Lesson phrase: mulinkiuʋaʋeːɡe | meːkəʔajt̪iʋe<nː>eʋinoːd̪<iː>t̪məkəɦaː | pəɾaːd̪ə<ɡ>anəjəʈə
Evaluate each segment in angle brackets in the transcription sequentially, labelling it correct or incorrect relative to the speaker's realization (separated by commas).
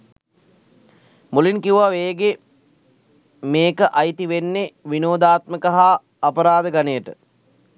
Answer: correct, incorrect, correct